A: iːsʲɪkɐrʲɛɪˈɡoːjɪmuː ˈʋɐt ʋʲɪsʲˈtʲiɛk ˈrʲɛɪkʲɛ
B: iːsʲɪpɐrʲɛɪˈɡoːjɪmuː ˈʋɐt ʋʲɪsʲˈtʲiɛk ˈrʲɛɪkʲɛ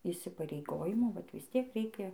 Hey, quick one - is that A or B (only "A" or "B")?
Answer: B